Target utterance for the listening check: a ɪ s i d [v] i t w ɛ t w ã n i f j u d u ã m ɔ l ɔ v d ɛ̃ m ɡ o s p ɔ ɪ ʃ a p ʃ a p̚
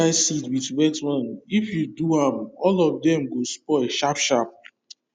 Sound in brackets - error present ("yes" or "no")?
yes